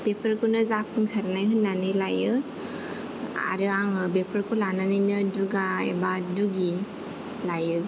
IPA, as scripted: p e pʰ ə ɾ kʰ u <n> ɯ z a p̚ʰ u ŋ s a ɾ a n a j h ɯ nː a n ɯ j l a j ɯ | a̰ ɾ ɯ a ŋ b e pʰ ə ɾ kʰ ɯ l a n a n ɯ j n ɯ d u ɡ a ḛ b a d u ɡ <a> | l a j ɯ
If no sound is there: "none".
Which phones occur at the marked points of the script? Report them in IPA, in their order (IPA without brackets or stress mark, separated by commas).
n, i